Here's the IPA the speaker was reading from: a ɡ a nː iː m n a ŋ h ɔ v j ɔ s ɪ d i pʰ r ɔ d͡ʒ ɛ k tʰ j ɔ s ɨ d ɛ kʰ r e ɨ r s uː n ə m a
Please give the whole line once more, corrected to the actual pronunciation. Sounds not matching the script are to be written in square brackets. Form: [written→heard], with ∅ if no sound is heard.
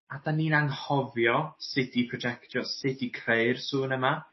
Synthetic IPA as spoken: a [ɡ→d] a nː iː [m→∅] n a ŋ h ɔ v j ɔ s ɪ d i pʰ r ɔ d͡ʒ ɛ k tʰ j ɔ s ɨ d [ɛ→i] kʰ r e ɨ r s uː n ə m a